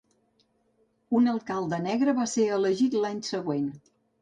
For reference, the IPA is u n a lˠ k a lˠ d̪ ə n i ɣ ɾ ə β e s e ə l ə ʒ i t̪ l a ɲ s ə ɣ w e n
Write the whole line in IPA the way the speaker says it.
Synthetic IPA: u n ə lˠ k a lˠ d̪ ə n ɛ ɣ ɾ ə β a s e ə l ə ʒ i t̪ l a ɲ s ə ɣ w e n